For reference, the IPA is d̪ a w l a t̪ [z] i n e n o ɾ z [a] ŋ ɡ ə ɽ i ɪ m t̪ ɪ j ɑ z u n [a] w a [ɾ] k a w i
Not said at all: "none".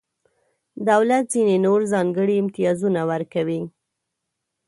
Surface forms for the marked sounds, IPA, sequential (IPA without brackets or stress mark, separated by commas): z, ɑ, a, ɾ